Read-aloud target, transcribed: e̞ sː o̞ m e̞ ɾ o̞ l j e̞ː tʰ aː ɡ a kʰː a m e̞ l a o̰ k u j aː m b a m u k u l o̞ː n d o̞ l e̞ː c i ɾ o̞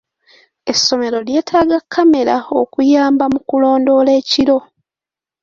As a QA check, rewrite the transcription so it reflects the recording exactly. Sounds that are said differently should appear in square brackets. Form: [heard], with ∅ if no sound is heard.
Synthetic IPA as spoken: e̞ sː o̞ m e̞ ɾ o̞ l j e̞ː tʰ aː ɡ a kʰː a m e̞ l a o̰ k u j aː m b a m u k u l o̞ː n d o̞ l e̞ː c i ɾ o̞